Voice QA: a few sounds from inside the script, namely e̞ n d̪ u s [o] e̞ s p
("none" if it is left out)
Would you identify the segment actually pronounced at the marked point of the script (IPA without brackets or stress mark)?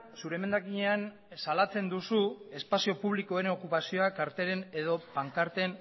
u